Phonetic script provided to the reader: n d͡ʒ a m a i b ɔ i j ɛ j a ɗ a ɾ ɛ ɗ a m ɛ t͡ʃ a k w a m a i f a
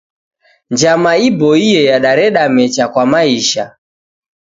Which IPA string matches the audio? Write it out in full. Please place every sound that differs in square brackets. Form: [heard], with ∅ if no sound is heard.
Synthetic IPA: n d͡ʒ a m a i b ɔ i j ɛ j a ɗ a ɾ ɛ ɗ a m ɛ t͡ʃ a k w a m a i [ʃ] a